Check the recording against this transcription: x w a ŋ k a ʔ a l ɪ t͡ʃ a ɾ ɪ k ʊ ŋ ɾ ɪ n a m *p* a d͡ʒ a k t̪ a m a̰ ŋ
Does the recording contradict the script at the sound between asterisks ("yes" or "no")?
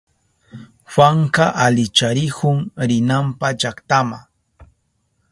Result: no